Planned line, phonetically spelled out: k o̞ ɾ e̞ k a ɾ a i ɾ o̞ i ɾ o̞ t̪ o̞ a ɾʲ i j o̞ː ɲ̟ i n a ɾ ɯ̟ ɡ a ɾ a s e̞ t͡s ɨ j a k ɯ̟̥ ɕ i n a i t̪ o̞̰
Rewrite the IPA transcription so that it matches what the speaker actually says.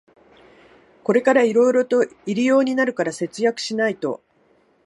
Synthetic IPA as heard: k o̞ ɾ e̞ k a ɾ a i ɾ o̞ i ɾ o̞ t̪ o̞ i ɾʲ i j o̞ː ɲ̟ i n a ɾ ɯ̟ k a ɾ a s e̞ t͡s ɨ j a k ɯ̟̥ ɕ i n a i t̪ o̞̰